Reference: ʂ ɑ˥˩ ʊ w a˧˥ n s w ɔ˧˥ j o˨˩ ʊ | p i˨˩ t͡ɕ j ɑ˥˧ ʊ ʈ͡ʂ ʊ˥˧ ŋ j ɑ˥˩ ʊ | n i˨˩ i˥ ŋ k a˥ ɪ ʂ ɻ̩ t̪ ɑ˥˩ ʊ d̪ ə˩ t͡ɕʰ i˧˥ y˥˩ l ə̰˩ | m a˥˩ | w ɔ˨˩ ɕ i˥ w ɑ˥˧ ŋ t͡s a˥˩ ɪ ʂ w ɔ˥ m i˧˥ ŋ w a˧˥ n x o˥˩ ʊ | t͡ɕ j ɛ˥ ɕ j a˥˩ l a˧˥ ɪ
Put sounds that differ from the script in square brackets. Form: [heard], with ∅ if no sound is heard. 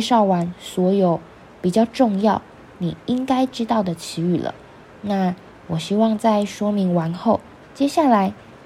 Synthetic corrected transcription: ʂ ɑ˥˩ ʊ w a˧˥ n s w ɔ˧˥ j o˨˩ ʊ | p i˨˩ t͡ɕ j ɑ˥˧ ʊ ʈ͡ʂ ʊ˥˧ ŋ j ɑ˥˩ ʊ | n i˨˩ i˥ ŋ k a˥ ɪ [ʈ͡ʂ] ɻ̩ t̪ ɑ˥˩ ʊ d̪ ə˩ t͡ɕʰ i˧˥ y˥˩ l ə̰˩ | [n] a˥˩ | w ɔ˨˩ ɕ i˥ w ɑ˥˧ ŋ t͡s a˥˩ ɪ ʂ w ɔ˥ m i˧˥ ŋ w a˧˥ n x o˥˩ ʊ | t͡ɕ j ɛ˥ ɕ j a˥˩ l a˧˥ ɪ